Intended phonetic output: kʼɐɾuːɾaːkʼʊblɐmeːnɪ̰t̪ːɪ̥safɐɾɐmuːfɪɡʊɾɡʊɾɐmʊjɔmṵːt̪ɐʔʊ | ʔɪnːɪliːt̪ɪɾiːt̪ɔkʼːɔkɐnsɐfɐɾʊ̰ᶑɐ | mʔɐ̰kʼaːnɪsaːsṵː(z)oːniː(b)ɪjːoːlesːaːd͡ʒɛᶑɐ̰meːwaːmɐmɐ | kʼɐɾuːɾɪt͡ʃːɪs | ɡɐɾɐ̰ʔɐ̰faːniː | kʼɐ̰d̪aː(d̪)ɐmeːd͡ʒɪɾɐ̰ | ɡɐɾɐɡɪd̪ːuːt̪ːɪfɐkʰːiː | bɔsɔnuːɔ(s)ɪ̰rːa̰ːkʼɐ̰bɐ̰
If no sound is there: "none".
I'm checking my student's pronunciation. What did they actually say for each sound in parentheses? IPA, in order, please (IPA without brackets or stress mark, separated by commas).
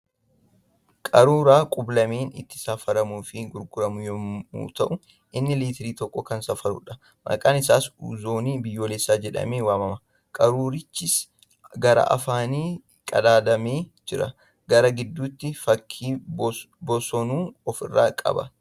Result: z, b, d̪, f